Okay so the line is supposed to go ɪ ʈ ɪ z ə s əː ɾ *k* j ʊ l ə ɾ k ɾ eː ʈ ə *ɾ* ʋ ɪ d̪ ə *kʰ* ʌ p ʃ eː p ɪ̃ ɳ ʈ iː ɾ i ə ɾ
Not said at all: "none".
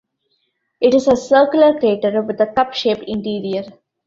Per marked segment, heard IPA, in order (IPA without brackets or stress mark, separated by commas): k, ɾ, k